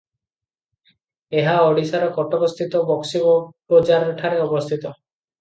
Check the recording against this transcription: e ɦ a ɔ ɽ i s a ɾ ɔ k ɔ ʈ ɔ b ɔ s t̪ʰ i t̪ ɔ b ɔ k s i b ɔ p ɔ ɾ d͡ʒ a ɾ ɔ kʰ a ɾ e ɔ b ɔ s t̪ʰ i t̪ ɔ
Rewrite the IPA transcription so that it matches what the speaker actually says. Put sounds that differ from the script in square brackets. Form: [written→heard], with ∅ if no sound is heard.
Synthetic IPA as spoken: e ɦ a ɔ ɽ i s a ɾ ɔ k ɔ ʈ ɔ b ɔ s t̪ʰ i t̪ ɔ b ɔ k s i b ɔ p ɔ [ɾ→∅] d͡ʒ a ɾ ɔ [kʰ→ʈʰ] a ɾ e ɔ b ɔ s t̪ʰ i t̪ ɔ